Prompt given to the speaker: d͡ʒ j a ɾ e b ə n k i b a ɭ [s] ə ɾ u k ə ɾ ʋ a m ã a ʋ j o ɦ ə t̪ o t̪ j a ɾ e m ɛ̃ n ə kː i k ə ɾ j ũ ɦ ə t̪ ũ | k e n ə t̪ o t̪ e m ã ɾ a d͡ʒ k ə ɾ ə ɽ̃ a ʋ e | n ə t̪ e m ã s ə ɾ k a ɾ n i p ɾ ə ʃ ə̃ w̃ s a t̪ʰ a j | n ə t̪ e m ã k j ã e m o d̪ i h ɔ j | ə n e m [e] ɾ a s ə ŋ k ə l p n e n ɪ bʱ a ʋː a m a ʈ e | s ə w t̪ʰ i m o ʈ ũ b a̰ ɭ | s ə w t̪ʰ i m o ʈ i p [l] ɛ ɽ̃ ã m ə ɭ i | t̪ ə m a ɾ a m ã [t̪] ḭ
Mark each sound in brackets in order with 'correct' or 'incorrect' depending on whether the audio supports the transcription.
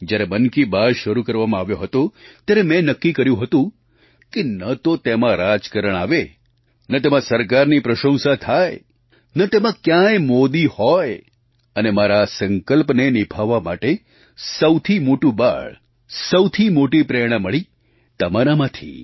incorrect, incorrect, incorrect, incorrect

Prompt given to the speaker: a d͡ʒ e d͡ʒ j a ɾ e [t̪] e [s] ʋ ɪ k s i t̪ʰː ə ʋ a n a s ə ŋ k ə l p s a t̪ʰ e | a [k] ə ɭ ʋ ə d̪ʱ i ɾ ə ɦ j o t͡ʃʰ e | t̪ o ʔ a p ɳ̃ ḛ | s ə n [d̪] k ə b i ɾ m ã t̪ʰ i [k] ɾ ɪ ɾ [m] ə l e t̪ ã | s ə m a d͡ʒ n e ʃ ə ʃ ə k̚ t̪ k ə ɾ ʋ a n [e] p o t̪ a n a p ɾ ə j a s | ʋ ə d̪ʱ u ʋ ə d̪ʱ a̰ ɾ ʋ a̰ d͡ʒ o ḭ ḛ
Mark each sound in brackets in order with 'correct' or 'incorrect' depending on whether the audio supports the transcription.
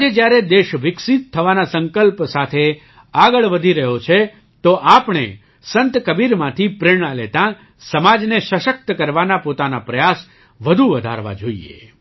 incorrect, incorrect, incorrect, incorrect, incorrect, incorrect, incorrect

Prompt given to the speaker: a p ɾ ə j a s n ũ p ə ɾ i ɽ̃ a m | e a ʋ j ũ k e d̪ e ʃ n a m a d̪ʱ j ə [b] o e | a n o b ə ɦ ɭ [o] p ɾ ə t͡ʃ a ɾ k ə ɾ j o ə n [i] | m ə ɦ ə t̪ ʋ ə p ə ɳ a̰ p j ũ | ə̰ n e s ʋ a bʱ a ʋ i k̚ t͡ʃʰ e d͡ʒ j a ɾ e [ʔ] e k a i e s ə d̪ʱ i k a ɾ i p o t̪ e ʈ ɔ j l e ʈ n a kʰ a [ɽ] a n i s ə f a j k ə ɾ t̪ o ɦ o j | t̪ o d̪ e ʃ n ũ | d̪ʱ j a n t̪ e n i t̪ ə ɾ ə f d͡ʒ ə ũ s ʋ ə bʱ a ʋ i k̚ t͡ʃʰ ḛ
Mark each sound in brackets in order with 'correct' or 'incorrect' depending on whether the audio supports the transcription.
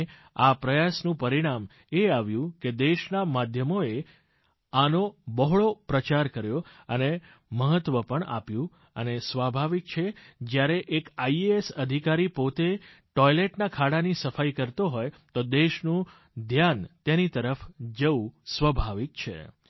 incorrect, correct, incorrect, correct, correct

